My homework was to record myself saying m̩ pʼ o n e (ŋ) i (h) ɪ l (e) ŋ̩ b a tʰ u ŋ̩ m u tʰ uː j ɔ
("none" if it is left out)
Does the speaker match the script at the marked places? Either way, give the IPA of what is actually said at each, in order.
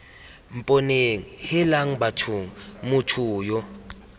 ŋ, h, a

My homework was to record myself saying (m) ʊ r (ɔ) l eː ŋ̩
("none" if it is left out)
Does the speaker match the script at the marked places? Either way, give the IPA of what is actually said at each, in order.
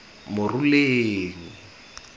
m, u

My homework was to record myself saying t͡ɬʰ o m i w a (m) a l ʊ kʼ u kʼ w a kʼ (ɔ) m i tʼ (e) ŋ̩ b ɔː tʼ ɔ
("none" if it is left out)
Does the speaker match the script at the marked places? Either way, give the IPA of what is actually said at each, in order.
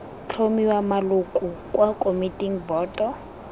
m, o, i

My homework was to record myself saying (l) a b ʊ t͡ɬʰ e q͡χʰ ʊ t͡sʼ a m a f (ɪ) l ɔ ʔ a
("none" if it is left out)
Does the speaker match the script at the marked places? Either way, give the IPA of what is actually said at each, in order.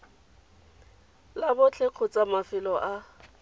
l, ɪ

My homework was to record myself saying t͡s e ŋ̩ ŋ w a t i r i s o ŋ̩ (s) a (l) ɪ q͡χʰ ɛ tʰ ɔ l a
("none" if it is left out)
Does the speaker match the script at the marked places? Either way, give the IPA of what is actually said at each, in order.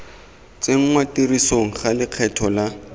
χ, l

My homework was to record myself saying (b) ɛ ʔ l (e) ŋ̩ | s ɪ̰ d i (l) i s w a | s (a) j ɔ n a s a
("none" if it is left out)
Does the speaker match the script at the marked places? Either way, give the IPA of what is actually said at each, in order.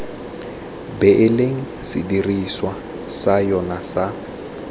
b, e, r, a

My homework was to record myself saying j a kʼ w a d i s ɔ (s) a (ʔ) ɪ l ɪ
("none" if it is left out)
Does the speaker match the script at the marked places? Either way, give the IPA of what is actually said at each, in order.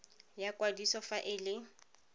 f, ʔ

